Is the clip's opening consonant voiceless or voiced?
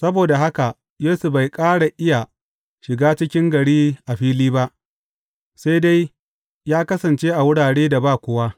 voiceless